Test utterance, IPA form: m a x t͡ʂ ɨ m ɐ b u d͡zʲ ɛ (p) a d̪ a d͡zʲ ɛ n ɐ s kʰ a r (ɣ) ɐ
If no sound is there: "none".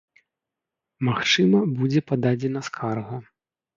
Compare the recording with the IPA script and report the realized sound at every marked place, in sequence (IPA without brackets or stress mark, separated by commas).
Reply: p, ɣ